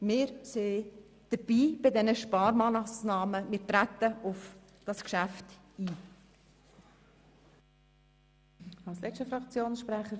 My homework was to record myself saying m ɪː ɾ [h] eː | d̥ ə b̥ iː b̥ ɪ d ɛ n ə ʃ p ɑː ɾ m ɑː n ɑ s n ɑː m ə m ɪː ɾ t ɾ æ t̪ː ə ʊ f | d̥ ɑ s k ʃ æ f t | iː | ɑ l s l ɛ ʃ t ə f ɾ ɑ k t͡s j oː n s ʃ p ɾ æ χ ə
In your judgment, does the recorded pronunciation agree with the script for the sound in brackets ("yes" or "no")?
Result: no